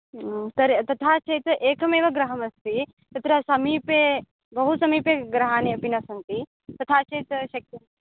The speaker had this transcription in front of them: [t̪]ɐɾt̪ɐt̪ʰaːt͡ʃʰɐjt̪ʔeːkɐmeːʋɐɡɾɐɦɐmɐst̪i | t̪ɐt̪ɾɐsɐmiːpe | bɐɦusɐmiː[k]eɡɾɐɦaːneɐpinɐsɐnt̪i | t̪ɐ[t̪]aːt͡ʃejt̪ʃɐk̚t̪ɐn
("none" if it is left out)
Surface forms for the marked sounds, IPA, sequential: t̪, p, t̪ʰ

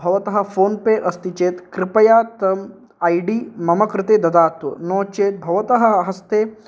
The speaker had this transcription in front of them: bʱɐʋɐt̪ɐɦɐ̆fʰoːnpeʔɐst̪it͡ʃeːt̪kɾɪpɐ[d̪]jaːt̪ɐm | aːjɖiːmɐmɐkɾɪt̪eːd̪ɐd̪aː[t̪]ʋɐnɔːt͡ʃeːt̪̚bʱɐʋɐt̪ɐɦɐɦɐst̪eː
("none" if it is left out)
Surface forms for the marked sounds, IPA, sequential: none, t̪

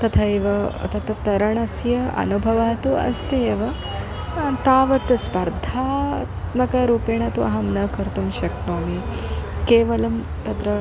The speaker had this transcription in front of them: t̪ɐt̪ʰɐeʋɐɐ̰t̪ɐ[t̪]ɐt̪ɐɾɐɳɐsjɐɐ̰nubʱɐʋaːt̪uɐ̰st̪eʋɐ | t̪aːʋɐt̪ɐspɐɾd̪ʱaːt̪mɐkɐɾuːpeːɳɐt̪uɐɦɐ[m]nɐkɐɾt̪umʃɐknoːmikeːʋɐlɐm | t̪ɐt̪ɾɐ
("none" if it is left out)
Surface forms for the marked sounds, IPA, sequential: t̪, m

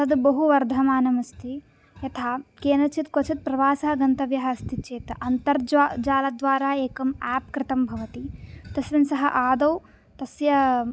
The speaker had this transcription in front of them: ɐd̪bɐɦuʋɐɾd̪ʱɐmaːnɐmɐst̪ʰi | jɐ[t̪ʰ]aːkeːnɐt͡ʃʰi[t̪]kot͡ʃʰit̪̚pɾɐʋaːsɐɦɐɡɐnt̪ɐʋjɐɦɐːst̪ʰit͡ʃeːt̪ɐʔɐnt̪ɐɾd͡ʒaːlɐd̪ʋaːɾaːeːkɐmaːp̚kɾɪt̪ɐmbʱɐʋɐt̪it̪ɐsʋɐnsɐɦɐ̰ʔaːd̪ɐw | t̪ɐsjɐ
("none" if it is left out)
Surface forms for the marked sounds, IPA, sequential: t̪ʰ, t̪

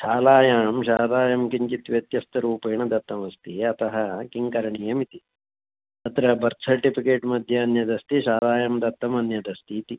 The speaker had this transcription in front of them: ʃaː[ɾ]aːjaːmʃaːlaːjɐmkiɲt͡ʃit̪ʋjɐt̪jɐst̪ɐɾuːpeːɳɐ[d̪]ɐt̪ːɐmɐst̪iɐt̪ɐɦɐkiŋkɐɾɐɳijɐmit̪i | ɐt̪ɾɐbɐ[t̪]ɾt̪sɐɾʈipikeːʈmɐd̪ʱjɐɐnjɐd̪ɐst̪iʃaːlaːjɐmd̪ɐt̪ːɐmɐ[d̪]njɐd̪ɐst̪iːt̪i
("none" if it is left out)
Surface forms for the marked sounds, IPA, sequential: l, d̪, none, none

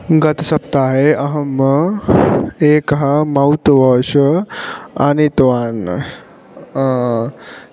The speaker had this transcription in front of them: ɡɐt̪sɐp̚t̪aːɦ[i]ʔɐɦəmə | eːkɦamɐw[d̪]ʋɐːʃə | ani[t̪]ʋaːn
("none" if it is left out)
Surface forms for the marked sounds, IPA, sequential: e, t̪, t̪

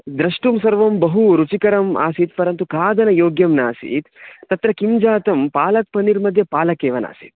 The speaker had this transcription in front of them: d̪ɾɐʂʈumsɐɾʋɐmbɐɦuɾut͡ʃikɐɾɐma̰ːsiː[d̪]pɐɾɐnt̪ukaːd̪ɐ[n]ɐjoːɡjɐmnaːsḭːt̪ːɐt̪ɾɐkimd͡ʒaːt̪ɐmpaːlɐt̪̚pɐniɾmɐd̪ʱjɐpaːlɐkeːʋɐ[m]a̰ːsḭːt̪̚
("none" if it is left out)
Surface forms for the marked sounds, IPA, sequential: t̪, n, n

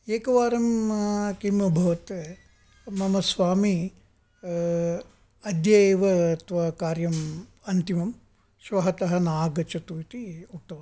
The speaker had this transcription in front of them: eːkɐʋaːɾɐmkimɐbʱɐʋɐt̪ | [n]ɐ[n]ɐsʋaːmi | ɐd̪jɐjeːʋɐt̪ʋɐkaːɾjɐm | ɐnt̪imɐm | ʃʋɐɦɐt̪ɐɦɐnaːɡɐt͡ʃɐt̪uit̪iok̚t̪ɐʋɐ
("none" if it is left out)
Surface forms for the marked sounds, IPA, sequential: m, m

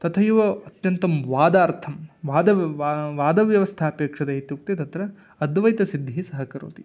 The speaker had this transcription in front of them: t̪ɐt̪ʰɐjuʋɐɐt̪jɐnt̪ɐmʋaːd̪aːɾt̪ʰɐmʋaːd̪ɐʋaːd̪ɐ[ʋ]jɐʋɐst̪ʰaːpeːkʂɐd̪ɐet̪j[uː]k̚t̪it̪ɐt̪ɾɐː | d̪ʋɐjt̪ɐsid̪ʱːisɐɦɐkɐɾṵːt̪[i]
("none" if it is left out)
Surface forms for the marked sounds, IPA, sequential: ʋ, u, i

